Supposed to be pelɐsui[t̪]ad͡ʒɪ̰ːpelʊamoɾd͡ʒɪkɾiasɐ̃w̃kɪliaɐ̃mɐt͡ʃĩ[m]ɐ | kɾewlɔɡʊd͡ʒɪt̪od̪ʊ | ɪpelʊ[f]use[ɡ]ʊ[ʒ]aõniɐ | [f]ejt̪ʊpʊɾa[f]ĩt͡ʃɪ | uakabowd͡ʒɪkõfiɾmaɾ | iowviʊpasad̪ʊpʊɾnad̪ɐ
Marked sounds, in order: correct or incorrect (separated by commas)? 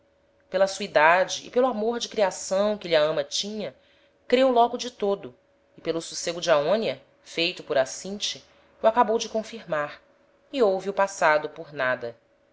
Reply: incorrect, incorrect, incorrect, correct, incorrect, correct, incorrect